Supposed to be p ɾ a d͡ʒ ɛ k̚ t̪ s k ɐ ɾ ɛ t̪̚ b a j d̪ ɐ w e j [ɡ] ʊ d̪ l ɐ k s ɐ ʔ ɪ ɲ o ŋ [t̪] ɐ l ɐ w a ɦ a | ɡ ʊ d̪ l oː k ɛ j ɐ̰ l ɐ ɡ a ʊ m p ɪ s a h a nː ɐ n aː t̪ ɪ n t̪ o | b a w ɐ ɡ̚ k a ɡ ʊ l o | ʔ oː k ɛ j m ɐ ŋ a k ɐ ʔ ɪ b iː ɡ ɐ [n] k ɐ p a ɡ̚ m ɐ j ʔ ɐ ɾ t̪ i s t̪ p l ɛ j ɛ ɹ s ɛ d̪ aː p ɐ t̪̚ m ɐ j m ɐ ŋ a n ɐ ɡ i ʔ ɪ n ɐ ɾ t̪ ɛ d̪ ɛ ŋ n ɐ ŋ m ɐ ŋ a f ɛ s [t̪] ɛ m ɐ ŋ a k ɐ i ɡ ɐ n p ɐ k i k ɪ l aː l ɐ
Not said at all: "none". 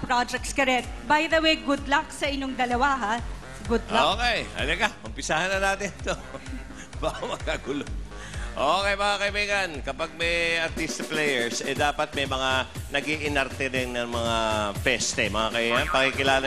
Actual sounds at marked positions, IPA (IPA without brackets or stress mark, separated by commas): ɡ, d̪, n, t̪